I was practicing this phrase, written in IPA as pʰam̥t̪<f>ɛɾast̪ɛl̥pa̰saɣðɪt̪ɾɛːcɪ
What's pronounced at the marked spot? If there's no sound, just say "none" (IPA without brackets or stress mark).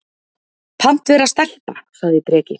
v